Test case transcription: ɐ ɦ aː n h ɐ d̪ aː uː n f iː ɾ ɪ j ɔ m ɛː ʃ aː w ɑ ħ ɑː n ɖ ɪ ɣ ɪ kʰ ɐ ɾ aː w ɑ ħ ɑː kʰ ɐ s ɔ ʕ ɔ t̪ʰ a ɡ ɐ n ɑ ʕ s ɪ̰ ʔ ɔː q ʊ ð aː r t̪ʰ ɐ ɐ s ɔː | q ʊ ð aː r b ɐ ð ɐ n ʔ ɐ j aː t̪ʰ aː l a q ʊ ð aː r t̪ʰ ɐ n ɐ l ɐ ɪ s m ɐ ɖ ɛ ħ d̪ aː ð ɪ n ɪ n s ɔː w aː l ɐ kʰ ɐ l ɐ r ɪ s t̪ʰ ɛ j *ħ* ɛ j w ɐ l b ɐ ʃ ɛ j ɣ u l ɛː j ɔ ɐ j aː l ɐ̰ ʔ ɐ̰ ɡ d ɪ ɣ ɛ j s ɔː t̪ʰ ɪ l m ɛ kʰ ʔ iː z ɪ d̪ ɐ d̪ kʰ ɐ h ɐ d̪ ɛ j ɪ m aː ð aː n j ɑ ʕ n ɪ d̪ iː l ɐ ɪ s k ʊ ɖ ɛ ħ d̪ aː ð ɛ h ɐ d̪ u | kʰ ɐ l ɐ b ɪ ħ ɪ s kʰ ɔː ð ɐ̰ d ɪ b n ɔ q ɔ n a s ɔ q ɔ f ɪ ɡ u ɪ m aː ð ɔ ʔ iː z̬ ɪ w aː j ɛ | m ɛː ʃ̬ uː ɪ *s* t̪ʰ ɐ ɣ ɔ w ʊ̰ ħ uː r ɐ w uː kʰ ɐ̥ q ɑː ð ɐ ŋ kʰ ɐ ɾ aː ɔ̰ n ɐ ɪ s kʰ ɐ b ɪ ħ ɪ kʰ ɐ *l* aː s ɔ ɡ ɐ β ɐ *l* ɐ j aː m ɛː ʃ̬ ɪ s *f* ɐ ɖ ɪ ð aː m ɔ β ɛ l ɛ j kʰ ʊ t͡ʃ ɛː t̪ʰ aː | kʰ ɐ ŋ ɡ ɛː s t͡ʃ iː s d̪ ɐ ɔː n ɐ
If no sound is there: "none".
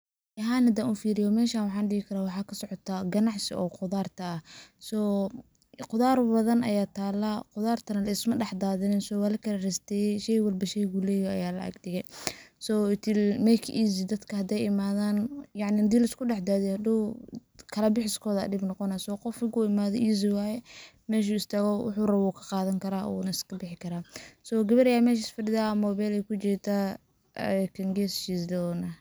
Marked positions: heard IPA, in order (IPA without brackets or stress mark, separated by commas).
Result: ʃ, s, ɾ, ɾ, f